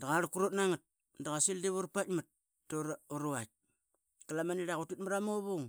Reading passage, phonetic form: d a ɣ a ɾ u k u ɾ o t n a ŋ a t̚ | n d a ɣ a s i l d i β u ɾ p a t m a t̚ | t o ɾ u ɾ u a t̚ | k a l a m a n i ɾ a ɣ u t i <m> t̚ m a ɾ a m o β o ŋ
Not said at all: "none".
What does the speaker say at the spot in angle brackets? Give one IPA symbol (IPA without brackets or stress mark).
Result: none